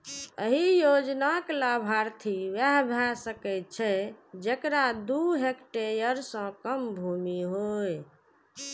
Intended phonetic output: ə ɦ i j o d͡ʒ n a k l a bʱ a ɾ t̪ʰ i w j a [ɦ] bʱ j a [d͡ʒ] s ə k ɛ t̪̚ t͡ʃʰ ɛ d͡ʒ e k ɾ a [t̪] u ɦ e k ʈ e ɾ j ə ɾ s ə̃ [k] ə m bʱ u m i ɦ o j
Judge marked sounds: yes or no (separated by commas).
yes, no, no, yes